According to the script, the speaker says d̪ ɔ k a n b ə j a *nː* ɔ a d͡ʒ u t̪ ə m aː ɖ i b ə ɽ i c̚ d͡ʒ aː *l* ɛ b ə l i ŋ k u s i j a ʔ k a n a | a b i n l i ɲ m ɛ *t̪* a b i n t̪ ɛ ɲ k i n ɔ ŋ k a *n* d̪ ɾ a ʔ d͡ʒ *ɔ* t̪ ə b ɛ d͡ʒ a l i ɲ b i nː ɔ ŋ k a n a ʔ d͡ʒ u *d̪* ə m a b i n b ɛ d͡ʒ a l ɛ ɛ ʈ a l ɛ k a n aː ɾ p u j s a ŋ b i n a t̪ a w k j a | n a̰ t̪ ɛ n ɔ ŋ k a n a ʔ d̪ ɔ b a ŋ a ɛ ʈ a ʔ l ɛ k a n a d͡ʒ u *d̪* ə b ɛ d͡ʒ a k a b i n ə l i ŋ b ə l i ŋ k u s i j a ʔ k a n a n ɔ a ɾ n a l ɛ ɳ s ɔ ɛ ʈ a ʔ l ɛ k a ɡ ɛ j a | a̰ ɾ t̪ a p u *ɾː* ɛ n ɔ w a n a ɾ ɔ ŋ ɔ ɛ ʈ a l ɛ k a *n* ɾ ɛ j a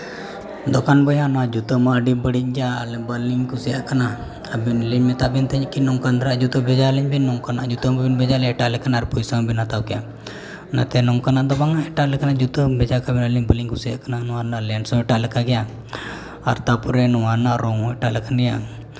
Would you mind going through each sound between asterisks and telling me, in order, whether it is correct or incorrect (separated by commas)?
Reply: incorrect, correct, correct, correct, incorrect, incorrect, incorrect, incorrect, correct